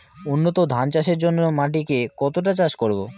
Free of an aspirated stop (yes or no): yes